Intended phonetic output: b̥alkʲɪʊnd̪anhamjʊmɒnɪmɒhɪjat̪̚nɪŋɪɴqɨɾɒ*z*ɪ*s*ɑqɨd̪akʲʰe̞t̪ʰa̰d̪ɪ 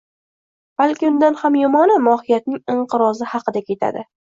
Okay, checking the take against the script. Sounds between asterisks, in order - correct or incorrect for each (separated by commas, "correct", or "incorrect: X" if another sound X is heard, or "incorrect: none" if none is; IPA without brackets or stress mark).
correct, incorrect: h